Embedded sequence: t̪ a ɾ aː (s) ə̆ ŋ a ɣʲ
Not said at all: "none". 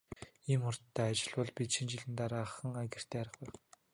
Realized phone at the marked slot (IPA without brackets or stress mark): χ